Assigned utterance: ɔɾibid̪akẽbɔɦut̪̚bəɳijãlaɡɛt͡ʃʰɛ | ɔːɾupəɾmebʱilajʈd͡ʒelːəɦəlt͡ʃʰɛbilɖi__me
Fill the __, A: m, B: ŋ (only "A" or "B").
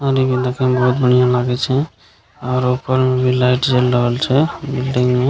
B